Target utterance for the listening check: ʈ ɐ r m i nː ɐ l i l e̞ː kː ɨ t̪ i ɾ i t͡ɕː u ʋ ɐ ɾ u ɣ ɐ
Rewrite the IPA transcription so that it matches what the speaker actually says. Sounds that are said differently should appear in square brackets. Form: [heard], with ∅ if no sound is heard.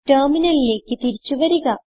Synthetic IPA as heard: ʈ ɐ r m i [n] ɐ l i l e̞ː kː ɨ t̪ i ɾ i t͡ɕː u ʋ ɐ ɾ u ɣ ɐ